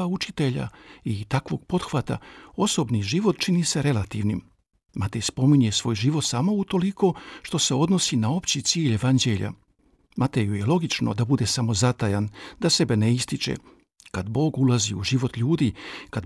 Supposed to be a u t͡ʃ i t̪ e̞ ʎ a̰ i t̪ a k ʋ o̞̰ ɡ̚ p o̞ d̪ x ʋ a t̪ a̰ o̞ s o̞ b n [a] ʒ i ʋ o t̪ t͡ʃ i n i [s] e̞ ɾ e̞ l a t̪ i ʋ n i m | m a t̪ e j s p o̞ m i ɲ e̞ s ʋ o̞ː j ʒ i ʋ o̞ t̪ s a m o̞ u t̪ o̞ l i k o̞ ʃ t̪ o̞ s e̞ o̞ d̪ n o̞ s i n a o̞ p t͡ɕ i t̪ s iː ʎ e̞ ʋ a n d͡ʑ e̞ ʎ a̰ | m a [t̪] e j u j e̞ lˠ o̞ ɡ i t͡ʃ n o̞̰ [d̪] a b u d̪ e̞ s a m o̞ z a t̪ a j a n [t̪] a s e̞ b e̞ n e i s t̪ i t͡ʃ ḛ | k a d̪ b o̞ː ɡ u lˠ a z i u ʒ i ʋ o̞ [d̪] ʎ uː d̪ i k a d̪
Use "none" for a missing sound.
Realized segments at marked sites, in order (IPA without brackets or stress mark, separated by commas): i, s, t̪, d̪, d̪, t̪